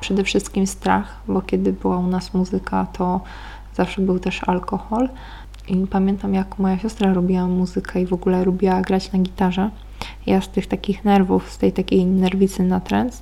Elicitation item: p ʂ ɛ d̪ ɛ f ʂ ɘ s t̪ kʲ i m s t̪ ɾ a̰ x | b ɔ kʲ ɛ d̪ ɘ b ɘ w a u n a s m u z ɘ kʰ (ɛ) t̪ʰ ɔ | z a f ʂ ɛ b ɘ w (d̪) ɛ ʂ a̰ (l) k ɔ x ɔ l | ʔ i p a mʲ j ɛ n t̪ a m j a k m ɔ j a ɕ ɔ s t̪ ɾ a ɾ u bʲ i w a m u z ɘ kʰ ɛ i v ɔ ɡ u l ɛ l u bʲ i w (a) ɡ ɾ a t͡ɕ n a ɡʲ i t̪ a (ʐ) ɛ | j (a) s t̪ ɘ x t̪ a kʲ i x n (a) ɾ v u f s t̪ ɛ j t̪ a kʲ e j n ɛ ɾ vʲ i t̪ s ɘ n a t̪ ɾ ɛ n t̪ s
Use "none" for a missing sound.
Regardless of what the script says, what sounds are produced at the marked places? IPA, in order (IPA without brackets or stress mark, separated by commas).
a, t̪, l, a, ʐ, a, ɛ